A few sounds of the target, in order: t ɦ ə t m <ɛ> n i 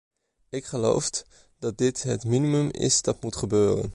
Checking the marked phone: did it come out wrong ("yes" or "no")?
yes